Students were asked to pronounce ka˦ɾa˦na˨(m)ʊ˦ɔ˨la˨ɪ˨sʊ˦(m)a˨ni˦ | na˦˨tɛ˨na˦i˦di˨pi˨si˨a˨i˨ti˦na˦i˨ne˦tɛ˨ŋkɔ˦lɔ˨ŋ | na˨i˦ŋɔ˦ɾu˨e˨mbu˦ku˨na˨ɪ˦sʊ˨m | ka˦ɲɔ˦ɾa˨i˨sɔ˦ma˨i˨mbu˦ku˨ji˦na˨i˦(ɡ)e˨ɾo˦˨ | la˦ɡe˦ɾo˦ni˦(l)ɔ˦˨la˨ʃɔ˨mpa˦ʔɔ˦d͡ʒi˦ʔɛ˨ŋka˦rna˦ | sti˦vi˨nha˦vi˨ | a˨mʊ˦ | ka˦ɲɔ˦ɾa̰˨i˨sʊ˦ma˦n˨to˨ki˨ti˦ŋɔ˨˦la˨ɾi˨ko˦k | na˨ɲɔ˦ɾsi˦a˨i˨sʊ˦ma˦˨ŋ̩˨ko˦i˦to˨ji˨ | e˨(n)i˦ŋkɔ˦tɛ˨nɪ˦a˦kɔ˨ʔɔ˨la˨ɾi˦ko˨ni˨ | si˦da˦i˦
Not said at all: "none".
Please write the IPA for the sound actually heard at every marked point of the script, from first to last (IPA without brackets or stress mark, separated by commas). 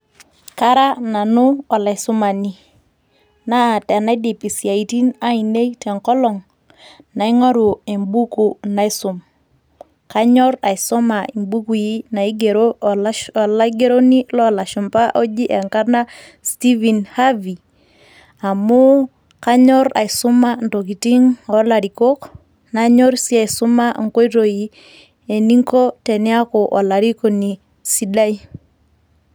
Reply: n, m, ɡ, l, n